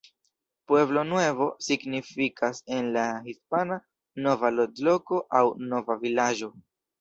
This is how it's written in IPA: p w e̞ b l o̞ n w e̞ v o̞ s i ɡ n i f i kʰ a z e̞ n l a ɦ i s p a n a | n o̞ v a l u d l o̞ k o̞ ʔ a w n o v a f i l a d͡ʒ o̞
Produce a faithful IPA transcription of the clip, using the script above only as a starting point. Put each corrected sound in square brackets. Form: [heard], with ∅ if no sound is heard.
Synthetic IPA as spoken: p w e̞ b l o̞ n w e̞ v o̞ s i ɡ n i f i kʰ a [s] e̞ n l a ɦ i s p a n a | n o̞ v a l [o] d l o̞ k o̞ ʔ a w n o v a [v] i l a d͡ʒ o̞